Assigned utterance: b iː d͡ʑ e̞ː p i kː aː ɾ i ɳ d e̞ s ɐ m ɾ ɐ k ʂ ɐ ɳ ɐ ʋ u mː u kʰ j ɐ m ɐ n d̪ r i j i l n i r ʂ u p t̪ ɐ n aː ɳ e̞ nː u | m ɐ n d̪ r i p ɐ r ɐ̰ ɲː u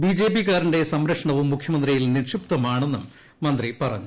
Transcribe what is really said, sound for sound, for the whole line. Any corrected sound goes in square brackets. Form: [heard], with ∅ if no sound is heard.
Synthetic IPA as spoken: b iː d͡ʑ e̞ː p i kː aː ɾ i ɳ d e̞ s ɐ m ɾ ɐ k ʂ ɐ ɳ ɐ ʋ u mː u kʰ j ɐ m ɐ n d̪ r i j i l n i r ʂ u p t̪ ɐ [m] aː ɳ e̞ nː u | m ɐ n d̪ r i p ɐ r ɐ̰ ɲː u